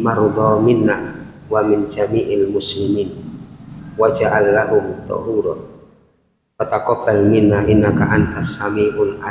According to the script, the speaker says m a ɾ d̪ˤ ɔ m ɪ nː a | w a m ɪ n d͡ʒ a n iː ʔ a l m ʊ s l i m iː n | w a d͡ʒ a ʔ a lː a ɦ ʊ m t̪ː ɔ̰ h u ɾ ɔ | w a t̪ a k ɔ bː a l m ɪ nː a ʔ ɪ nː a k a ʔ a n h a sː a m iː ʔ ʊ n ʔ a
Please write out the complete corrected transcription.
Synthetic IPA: m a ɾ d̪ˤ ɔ m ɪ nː a | w a m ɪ n d͡ʒ a m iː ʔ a l m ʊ s l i m iː n | w a d͡ʒ a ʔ a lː a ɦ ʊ m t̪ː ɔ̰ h u ɾ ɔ | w a t̪ a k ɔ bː a l m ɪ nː a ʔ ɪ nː a k a ʔ a n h a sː a m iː ʔ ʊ n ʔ a